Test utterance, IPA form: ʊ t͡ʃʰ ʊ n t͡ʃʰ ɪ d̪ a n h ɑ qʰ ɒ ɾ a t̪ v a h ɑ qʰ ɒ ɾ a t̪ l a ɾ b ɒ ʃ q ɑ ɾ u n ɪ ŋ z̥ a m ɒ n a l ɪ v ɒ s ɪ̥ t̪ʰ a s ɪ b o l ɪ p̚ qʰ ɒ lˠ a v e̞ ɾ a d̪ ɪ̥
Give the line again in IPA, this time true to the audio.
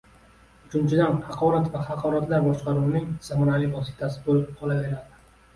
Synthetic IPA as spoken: ʊ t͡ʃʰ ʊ n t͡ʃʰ ɪ d̪ a n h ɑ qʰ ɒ ɾ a t̪ v a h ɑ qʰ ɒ ɾ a t̪ l a ɾ b ɒ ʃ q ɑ ɾ u n ɪ ŋ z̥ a m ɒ n a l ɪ v ɒ s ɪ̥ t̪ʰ a s ɪ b o l ɪ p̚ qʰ ɒ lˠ a v e̞ ɾ a d̪ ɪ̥